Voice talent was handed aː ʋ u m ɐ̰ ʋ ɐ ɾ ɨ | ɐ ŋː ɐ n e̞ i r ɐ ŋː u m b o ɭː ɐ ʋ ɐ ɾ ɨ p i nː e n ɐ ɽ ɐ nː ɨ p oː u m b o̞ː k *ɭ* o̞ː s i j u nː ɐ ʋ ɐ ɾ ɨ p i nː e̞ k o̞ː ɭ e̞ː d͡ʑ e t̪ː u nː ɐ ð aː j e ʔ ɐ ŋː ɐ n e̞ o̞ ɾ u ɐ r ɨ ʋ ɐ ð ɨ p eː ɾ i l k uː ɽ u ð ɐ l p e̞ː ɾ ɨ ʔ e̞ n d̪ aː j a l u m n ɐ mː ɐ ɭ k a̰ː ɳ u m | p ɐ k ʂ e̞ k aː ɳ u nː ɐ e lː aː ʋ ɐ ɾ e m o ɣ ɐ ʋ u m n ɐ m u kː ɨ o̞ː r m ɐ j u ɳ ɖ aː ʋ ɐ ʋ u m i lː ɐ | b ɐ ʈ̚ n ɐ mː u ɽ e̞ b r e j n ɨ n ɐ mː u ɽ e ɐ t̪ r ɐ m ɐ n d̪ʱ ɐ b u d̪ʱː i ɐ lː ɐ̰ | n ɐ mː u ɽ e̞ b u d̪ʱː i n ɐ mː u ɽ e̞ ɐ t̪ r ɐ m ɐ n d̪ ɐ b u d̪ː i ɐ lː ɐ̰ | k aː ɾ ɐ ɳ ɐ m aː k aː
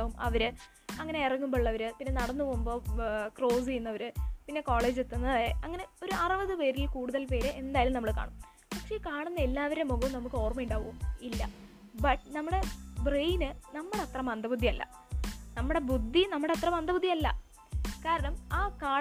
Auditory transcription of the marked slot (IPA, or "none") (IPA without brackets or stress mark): r